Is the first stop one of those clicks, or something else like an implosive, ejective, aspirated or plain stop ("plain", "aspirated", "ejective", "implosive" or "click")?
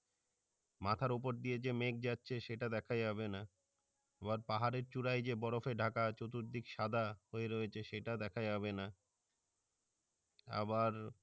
aspirated